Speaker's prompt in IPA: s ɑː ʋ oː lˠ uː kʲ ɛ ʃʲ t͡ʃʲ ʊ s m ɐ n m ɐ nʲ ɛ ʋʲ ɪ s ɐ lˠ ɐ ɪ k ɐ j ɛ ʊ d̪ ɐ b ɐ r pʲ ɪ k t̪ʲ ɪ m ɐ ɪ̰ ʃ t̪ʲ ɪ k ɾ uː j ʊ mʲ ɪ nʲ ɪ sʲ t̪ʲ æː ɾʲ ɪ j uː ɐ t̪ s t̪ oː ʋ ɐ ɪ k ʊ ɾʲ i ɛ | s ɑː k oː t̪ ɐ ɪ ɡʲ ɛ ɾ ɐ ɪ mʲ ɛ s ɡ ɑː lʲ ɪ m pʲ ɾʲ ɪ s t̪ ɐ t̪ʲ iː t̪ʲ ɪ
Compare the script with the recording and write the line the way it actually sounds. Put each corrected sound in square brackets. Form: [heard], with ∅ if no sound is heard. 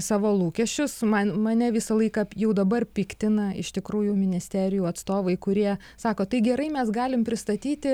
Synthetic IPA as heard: s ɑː ʋ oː lˠ uː kʲ ɛ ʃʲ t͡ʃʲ ʊ s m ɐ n m ɐ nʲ ɛ ʋʲ ɪ s ɐ lˠ ɐ ɪ k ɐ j ɛ ʊ d̪ ɐ b ɐ r pʲ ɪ k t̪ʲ ɪ [n] ɐ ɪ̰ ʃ t̪ʲ ɪ k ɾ uː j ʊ mʲ ɪ nʲ ɪ sʲ t̪ʲ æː ɾʲ ɪ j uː ɐ t̪ s t̪ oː ʋ ɐ ɪ k ʊ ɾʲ i ɛ | s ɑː k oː t̪ ɐ ɪ ɡʲ ɛ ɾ ɐ ɪ mʲ ɛ s ɡ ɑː lʲ ɪ m pʲ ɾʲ ɪ s t̪ ɐ t̪ʲ iː t̪ʲ ɪ